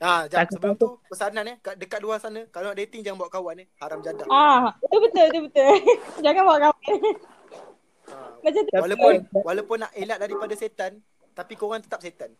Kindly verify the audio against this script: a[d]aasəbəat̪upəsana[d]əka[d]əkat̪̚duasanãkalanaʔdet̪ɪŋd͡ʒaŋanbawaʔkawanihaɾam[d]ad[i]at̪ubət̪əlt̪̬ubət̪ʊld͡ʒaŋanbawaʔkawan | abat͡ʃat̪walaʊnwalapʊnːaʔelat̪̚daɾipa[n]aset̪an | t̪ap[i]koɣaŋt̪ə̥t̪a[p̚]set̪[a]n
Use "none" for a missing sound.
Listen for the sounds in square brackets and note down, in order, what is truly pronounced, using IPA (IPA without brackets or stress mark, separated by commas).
d͡ʒ, n, d, d͡ʒ, a, d, i, p̚, a